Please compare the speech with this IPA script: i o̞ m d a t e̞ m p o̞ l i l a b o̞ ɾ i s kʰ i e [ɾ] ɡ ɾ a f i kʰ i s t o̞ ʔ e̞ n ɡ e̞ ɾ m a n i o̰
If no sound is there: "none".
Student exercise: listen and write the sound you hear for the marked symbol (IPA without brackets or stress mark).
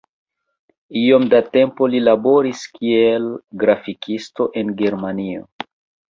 l